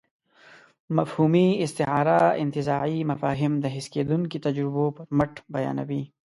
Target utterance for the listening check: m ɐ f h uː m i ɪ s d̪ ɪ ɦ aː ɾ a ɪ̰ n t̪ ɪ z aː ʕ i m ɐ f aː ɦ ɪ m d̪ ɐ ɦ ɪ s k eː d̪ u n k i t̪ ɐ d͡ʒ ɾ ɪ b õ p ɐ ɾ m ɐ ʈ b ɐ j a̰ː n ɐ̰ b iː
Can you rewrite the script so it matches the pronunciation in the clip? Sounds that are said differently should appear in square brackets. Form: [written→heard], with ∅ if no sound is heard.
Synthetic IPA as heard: m ɐ f h uː m i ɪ s [d̪→t̪] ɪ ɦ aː ɾ a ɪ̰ n t̪ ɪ z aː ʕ i m ɐ f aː ɦ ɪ m d̪ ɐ ɦ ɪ s k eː d̪ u n k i t̪ ɐ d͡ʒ ɾ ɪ b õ p ɐ ɾ m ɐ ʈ b ɐ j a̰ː n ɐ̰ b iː

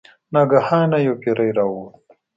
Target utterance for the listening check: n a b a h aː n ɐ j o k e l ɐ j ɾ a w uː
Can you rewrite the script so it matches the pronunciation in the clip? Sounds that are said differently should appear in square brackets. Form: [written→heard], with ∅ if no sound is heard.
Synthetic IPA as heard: n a [b→ɡ] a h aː n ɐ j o k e [l→ɾ] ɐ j ɾ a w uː

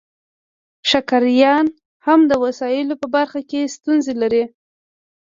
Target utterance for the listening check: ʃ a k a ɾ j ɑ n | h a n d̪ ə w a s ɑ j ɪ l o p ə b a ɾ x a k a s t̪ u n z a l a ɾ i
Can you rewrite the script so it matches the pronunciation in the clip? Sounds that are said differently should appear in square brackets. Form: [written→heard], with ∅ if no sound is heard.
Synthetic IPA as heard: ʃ a k a ɾ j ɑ n | h a [n→m] d̪ ə w a s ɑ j ɪ l o p ə b a ɾ x a k [a→e] s t̪ u n z [a→e] l a ɾ i

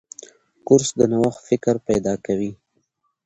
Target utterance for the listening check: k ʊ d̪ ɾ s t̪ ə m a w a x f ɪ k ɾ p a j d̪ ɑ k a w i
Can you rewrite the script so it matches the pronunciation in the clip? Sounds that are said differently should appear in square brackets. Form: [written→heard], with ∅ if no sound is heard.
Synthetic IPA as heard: k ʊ [d̪→∅] ɾ s [t̪→d̪] ə [m→n] a w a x f ɪ k ɾ p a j d̪ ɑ k a w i

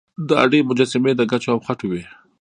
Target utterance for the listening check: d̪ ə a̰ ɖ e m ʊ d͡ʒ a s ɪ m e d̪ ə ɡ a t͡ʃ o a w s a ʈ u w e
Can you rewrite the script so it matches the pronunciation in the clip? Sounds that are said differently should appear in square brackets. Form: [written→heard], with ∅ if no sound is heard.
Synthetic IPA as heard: d̪ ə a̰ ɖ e m ʊ d͡ʒ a s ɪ m e d̪ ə ɡ a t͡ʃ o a w [s→x] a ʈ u w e

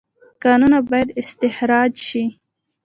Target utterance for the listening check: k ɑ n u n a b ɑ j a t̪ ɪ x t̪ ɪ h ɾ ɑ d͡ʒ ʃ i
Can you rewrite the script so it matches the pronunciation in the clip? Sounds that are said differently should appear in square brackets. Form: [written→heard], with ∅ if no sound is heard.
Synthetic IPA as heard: k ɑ n u n a b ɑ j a [t̪→d̪] ɪ [x→s] t̪ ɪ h ɾ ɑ d͡ʒ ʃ i

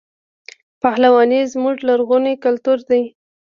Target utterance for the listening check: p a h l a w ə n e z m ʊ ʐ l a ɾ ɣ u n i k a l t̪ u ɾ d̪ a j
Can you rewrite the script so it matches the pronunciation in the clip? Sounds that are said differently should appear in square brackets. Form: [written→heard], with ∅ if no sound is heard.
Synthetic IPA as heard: p a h l a w [ə→ɑ] n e z m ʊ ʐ l a ɾ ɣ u n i k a l t̪ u ɾ d̪ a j

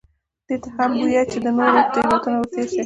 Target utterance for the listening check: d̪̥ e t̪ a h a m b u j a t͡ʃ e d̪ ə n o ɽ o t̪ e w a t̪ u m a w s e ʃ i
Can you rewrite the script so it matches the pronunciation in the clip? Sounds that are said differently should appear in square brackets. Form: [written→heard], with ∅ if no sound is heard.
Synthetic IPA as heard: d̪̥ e t̪ a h a m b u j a t͡ʃ e d̪ ə n o [ɽ→ɾ] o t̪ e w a t̪ u [m→n] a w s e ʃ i

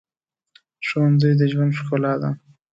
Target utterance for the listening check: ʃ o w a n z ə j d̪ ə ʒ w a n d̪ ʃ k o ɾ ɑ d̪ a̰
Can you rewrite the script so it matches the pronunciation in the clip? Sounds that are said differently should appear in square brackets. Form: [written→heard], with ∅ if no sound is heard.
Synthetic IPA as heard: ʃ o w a n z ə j d̪ ə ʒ w a n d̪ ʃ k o [ɾ→l] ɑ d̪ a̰

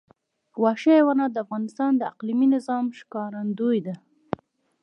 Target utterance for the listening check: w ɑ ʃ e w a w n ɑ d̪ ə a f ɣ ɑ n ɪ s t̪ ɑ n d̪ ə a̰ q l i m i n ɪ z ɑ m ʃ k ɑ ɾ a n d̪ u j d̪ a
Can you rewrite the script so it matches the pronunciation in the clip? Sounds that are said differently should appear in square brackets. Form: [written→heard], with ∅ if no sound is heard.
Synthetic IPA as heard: w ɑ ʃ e w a [w→∅] n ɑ d̪ ə a f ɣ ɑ n ɪ s t̪ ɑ n d̪ ə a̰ q l i m i n ɪ z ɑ m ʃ k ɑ ɾ a n d̪ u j d̪ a

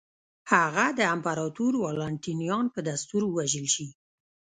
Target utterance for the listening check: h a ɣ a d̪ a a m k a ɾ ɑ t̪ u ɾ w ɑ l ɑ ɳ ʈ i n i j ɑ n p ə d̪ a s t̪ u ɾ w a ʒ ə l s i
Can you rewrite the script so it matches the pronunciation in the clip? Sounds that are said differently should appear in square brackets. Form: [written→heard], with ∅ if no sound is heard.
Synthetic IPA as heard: h a ɣ a d̪ [a→ə] a m [k→p] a ɾ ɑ t̪ u ɾ w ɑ l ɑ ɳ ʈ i n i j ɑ n p ə d̪ a s t̪ u ɾ w a ʒ ə l [s→ʃ] i

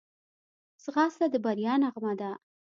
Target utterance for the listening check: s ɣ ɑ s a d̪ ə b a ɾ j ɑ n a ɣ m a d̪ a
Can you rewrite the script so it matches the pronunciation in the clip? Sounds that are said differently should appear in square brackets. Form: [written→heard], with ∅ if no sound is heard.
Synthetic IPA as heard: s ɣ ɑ s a d̪ ə b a ɾ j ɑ n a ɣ m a d̪ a

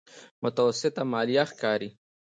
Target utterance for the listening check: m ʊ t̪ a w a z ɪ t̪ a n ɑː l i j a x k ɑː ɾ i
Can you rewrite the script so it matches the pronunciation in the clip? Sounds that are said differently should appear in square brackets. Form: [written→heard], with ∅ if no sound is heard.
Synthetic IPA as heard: m ʊ t̪ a w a [z→s] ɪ t̪ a [n→m] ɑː l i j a x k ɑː ɾ i

